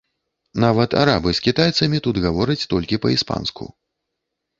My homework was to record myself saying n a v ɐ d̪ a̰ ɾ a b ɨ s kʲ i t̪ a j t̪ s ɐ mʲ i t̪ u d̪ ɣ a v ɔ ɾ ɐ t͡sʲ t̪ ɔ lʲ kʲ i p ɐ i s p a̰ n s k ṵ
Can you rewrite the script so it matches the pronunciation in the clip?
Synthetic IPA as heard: n a v ɐ t̪ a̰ ɾ a b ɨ s kʲ i t̪ a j t̪ s ɐ mʲ i t̪ u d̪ ɣ a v ɔ ɾ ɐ t͡sʲ t̪ ɔ lʲ kʲ i p ɐ i s p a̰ n s k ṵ